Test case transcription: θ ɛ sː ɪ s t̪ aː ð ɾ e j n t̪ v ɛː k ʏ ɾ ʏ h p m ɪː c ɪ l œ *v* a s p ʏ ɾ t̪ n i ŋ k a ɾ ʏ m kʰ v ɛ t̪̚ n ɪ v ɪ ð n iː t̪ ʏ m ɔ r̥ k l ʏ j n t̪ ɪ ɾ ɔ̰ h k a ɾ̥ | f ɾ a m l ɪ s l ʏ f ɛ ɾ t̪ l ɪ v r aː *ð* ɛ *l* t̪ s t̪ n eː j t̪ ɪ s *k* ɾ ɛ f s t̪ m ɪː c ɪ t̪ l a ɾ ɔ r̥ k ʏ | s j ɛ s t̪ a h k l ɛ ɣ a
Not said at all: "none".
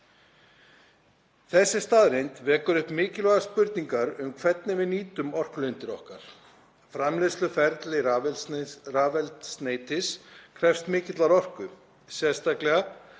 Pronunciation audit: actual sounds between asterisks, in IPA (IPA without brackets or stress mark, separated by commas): ɣ, v, l, kʰ